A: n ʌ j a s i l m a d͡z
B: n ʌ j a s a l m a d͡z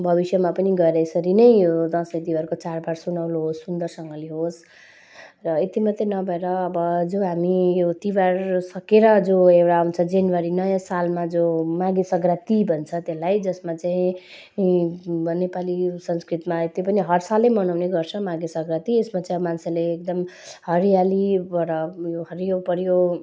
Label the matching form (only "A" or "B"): B